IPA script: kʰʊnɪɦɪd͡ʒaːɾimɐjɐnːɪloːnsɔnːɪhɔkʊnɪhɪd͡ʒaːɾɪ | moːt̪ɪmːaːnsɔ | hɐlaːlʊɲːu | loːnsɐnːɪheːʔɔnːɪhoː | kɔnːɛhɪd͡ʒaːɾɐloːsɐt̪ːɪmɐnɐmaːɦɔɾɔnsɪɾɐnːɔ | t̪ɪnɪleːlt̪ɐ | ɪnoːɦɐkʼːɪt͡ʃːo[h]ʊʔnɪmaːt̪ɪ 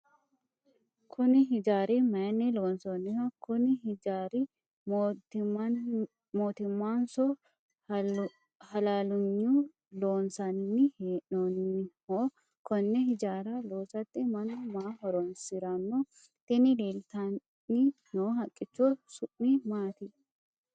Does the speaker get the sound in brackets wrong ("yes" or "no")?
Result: yes